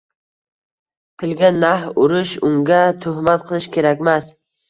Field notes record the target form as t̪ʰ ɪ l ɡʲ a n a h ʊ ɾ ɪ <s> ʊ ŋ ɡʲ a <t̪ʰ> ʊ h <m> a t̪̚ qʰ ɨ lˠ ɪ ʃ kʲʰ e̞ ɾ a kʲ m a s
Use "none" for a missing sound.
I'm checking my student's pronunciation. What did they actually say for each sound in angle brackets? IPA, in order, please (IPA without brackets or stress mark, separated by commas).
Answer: ʃ, t̪ʰ, m